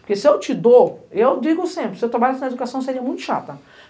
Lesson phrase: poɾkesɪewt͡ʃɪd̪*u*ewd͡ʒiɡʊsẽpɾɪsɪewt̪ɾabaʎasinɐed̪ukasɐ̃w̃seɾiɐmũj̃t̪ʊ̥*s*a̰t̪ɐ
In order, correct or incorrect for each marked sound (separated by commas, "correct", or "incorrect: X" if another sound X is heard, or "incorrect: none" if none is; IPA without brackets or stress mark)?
incorrect: o, incorrect: ʃ